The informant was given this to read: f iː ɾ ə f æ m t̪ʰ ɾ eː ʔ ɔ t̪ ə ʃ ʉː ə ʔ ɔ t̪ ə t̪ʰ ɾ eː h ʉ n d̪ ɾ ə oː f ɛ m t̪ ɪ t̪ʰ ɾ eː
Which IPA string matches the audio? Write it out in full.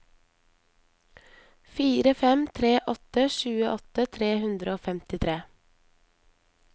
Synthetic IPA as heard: f iː ɾ ə f ɛ m t̪ʰ ɾ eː ʔ ɔ t̪ ə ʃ ʉː ə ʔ ɔ t̪ ə t̪ʰ ɾ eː h ʉ n d̪ ɾ ə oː f ɛ m t̪ ɪ t̪ʰ ɾ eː